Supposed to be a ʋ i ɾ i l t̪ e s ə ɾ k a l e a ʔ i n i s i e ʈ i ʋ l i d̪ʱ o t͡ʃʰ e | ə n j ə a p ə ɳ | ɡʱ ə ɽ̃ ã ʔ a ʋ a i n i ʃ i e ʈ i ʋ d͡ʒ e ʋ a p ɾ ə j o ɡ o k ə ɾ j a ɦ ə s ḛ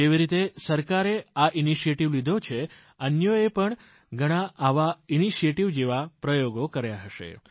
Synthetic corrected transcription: e ʋ i ɾ i t̪ e s ə ɾ k a ɾ e a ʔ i n i ʃ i e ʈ i ʋ l i d̪ʱ o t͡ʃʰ e | ə n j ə e p ə ɳ | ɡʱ ə ɽ̃ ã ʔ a ʋ a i n i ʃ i e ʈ i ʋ d͡ʒ e ʋ a p ɾ ə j o ɡ o k ə ɾ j a ɦ ə ʃ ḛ

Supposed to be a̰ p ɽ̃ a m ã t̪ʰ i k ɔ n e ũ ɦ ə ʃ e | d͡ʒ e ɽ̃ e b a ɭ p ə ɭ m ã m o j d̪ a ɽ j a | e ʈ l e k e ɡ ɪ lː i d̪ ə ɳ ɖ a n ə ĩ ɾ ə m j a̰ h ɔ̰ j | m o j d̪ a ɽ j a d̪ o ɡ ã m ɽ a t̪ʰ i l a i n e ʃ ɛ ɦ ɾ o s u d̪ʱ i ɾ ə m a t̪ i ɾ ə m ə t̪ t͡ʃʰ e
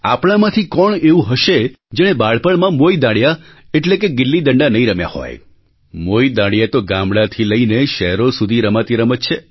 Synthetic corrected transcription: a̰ p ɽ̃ a m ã t̪ʰ i k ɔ ɳ e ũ ɦ ə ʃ e | d͡ʒ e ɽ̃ e b a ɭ p ə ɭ m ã m o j d̪ a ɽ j a | e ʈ l e k e ɡ ɪ lː i d̪ ə ɳ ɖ a n ə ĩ ɾ ə m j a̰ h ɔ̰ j | m o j d̪ a ɽ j a t̪ o ɡ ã m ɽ a t̪ʰ i l ə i n e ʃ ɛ ɦ ɾ o s u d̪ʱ i ɾ ə m a t̪ i ɾ ə m ə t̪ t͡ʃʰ e

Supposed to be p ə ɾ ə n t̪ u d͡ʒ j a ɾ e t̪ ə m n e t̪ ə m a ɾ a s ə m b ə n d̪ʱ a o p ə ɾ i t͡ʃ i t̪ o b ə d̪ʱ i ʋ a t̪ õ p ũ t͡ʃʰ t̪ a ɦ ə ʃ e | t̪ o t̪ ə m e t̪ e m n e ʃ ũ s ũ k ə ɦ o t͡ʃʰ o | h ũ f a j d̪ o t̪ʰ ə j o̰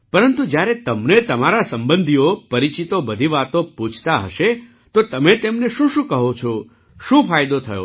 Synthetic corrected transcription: p ə ɾ ə n t̪ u d͡ʒ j a ɾ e t̪ ə m n e t̪ ə m a ɾ a s ə m b ə n d̪ʱ i o p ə ɾ i t͡ʃ i t̪ o b ə d̪ʱ i ʋ a t̪ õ p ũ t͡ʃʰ t̪ a ɦ ə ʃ e | t̪ o t̪ ə m e t̪ e m n e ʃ ũ ʃ ũ k ə ɦ o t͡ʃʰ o | ʃ ũ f a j d̪ o t̪ʰ ə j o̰

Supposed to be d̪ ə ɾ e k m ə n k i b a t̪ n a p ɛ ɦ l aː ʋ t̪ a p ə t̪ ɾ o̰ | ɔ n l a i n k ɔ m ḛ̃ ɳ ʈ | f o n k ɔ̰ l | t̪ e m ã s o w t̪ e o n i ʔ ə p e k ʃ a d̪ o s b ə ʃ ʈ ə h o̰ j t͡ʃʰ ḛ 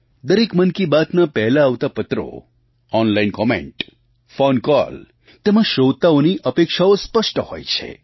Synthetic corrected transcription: d̪ ə ɾ e k m ə n k i b a t̪ n a p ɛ ɦ l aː ʋ t̪ a p ə t̪ ɾ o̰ | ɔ n l a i n k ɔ m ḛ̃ ɳ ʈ | f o n k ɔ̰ l | t̪ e m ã ʃ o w t̪ a o n i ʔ ə p e k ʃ a o s p ə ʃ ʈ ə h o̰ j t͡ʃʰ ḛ

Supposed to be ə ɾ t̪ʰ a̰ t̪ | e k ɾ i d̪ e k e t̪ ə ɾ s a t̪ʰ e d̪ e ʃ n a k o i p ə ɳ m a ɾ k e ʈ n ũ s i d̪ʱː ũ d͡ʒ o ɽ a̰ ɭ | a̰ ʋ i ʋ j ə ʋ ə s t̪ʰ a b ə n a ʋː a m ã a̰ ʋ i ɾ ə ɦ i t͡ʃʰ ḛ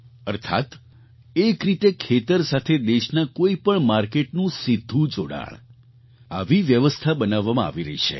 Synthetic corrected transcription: ə ɾ t̪ʰ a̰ t̪ | e k ɾ i t̪ e kʰ e t̪ ə ɾ s a t̪ʰ e d̪ e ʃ n a k o i p ə ɳ m a ɾ k e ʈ n ũ s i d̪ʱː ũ d͡ʒ o ɽ a̰ ɭ | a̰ ʋ i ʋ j ə ʋ ə s t̪ʰ a b ə n a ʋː a m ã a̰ ʋ i ɾ ə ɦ i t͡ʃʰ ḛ

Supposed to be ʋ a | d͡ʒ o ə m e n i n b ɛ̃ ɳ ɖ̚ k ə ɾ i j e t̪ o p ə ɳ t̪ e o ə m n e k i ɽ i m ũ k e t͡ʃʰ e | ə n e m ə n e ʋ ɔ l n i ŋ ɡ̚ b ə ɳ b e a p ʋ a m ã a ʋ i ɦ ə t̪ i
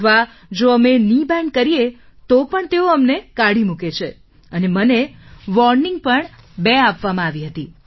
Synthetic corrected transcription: ʋ a | d͡ʒ o ə m e n i b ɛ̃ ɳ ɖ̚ k ə ɾ i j e t̪ o p ə ɳ t̪ e o ə m n e k a ɽ i m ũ k e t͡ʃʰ e | ə n e m ə n e ʋ ɔ ɾ n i ŋ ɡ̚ p ə ɳ b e a p ʋ a m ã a ʋ i ɦ ə t̪ i

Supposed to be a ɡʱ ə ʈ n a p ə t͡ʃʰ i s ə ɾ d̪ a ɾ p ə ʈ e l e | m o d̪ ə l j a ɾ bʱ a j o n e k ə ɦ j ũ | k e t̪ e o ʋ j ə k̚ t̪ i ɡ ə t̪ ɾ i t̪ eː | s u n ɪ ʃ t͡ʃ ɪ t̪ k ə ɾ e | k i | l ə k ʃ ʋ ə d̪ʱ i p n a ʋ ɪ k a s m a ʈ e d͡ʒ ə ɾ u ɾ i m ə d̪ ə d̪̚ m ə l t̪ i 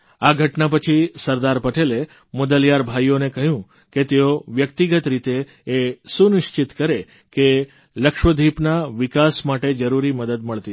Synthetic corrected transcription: a ɡʱ ə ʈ n a p ə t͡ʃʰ i s ə ɾ d̪ a ɾ p ə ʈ e l e | m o d̪ ə l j a ɾ bʱ a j o n e k ə ɦ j ũ | k e t̪ e o ʋ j ə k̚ t̪ i ɡ ə t̪ ɾ i t̪ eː | s u n ɪ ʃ t͡ʃ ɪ t̪ k ə ɾ e | k e | l ə k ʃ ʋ ə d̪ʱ i p n a ʋ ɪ k a s m a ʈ e d͡ʒ ə ɾ u ɾ i m ə d̪ ə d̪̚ m ə ɭ t̪ i

